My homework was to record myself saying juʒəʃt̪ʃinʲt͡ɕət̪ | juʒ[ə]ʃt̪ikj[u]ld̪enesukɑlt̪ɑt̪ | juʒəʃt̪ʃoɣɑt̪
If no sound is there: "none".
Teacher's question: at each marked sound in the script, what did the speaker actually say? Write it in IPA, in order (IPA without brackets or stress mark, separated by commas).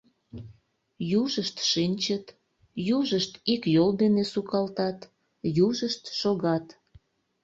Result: ə, o